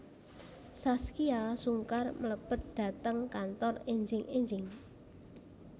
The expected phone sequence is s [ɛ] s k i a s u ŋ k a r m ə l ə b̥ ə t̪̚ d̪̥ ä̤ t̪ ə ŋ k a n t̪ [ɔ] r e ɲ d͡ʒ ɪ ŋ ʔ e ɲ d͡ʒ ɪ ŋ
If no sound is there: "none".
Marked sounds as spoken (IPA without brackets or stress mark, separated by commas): a, ɔ